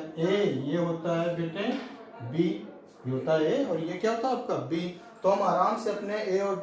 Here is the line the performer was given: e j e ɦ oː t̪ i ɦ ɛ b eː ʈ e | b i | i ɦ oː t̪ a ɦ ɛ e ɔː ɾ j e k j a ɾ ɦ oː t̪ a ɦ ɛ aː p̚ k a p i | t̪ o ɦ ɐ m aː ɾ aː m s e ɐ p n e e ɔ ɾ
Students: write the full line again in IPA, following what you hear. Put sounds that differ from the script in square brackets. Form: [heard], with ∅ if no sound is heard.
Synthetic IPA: e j e ɦ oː t̪ [a] ɦ ɛ b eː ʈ e | b i | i ɦ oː t̪ a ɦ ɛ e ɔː ɾ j e k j a [∅] ɦ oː t̪ a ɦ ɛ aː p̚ k a [b] i | t̪ o ɦ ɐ m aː ɾ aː m s e ɐ p n e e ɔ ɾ